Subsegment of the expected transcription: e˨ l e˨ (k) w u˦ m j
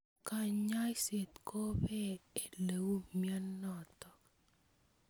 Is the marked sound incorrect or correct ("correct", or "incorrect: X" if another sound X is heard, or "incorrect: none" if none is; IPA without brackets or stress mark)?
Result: incorrect: none